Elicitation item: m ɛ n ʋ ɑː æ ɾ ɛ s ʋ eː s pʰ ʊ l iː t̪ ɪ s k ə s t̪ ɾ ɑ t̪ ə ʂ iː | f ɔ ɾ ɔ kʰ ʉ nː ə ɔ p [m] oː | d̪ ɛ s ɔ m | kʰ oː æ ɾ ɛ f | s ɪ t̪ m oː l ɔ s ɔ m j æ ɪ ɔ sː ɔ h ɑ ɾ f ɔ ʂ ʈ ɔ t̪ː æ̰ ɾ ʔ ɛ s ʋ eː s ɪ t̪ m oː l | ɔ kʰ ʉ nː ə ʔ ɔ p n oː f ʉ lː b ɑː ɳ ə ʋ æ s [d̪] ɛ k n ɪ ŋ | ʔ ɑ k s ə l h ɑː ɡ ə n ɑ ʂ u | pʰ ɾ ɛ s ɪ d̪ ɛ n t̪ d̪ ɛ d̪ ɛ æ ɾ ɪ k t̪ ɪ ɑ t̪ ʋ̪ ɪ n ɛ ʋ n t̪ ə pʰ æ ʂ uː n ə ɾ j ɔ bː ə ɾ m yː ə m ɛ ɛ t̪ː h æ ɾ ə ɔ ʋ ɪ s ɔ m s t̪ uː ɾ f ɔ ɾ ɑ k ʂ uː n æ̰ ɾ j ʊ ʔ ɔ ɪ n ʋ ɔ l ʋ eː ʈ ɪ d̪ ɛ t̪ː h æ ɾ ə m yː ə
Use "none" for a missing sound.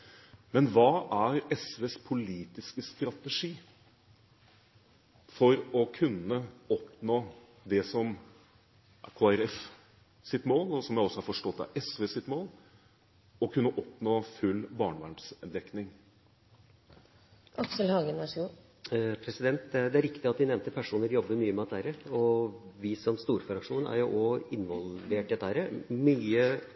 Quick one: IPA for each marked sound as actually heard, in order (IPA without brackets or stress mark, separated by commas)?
n, d̪